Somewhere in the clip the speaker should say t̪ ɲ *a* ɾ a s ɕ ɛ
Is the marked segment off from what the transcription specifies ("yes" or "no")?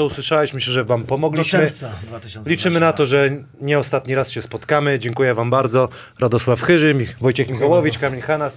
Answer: yes